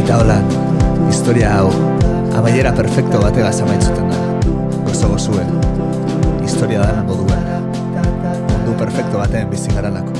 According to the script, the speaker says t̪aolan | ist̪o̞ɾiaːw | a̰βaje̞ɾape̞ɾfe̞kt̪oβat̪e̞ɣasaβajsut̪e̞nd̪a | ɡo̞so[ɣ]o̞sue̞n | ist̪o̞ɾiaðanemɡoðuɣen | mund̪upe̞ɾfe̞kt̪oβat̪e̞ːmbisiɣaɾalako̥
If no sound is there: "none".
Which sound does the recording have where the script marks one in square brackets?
ɣ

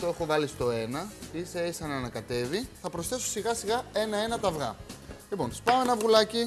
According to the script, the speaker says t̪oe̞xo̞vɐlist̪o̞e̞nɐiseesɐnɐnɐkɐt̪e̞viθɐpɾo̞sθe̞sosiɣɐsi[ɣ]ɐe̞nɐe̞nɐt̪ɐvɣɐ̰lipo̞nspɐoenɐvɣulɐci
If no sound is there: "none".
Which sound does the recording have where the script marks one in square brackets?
ɣ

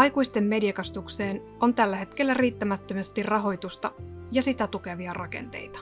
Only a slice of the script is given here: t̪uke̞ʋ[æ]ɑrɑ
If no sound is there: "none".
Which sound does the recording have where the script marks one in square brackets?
i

